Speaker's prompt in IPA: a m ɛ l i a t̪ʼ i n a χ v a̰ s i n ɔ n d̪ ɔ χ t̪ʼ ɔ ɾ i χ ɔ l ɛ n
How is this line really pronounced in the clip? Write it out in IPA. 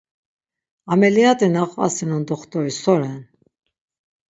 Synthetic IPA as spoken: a m ɛ l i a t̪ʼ i n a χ v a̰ s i n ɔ n d̪ ɔ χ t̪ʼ ɔ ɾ i s ɔ ɾ ɛ n